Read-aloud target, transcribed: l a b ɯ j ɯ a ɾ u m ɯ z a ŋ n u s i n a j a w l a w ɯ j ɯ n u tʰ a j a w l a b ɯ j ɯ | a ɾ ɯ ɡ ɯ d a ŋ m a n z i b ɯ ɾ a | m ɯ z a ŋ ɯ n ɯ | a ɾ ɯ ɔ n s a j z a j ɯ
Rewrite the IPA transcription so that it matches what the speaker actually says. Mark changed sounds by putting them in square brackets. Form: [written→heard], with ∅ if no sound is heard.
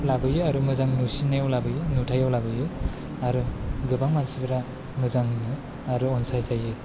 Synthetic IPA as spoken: l a b ɯ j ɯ a ɾ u m ɯ z a ŋ n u s i n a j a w l a [w→b] ɯ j ɯ n u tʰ a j a w l a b ɯ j ɯ | a ɾ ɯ ɡ ɯ [d→b] a ŋ m a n [z→s] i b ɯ ɾ a | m ɯ z a ŋ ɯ n ɯ | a ɾ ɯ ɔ n s a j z a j ɯ